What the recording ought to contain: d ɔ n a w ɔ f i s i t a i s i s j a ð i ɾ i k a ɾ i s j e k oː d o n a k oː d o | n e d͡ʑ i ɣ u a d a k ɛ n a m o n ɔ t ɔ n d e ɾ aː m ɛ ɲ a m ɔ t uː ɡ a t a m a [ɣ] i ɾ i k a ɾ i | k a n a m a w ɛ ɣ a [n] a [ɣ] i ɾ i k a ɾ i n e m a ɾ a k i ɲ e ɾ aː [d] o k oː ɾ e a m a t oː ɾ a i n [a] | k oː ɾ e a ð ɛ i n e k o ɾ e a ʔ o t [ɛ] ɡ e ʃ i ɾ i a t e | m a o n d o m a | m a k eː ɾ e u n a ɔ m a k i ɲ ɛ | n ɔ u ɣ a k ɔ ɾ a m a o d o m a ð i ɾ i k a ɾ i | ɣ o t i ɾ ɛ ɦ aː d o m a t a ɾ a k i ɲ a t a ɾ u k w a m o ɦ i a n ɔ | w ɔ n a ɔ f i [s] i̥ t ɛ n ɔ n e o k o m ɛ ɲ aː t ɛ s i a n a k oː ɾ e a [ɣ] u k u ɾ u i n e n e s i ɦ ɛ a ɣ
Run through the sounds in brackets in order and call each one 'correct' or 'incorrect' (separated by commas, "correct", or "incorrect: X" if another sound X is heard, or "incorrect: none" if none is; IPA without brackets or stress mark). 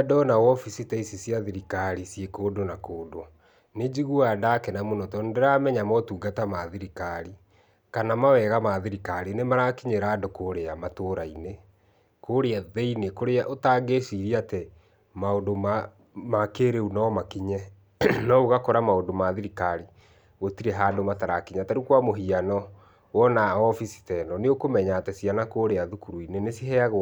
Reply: incorrect: ð, incorrect: m, incorrect: ð, correct, incorrect: e, incorrect: a, correct, incorrect: ð